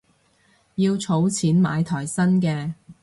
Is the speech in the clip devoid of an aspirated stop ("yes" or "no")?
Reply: no